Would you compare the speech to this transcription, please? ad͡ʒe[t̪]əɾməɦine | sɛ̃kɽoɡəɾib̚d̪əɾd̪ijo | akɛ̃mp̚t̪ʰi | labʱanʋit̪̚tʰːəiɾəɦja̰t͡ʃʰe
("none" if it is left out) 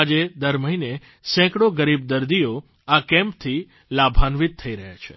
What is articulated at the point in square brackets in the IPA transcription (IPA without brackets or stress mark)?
d̪